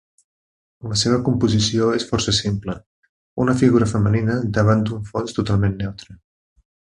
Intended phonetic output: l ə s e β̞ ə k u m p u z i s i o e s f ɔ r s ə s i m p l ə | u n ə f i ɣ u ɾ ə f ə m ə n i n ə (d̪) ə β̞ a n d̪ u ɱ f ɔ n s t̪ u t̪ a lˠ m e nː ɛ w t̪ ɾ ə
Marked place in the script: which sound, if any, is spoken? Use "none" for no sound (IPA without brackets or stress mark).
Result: d̪